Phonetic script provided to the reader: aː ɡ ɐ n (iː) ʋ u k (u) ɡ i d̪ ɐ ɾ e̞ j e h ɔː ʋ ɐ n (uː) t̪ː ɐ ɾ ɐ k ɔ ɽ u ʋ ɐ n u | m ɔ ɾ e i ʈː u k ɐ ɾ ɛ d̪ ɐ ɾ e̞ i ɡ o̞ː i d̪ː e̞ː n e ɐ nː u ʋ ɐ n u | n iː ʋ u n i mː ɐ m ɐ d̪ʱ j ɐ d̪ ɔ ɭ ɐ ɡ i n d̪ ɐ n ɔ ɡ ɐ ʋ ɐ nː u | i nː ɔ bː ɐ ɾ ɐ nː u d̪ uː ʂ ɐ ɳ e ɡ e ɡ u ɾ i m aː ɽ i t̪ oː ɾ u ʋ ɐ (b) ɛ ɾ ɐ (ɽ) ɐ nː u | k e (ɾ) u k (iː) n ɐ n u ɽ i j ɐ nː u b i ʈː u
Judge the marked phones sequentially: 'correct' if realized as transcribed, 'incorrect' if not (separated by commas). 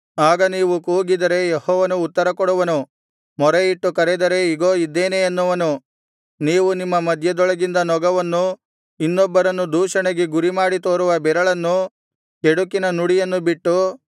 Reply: correct, incorrect, correct, correct, incorrect, incorrect, incorrect